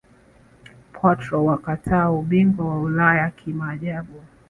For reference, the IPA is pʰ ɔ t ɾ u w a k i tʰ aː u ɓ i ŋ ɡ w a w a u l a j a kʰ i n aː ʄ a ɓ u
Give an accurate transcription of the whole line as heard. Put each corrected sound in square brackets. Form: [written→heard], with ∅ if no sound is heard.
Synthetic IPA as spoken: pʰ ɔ t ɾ [u→ɔ] w a k [i→a] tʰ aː u ɓ i ŋ ɡ w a w a u l a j a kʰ i [n→m] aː ʄ a ɓ u